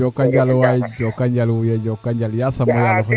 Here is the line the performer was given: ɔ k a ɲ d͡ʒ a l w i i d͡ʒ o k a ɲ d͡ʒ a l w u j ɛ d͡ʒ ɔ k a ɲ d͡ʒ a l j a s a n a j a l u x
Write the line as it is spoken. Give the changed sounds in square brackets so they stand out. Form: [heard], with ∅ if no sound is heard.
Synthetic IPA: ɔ k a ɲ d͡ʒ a l w [a] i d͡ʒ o k a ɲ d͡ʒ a l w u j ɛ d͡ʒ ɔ k a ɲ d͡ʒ a l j a s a [m] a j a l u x